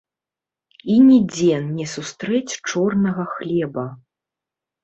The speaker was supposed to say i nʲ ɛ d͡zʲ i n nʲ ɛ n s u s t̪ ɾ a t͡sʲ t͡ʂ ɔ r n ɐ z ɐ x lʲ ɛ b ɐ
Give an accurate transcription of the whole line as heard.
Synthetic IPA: i nʲ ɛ d͡zʲ ɛ n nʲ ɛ s u s t̪ ɾ ɛ t͡sʲ t͡ʂ ɔ r n ɐ ɣ ɐ x lʲ ɛ b ɐ